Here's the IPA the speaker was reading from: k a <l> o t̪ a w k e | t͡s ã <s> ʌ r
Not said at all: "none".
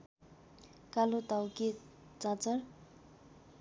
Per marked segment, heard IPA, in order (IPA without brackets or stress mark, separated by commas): l, t͡s